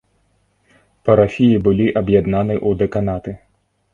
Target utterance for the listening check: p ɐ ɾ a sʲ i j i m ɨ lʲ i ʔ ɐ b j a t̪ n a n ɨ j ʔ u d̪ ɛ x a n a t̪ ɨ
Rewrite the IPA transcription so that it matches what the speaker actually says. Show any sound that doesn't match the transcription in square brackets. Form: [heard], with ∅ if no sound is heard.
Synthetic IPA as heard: p ɐ ɾ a [fʲ] i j i [b] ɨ lʲ i ʔ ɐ b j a [d̪] n a n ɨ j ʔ u d̪ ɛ [k] a n a t̪ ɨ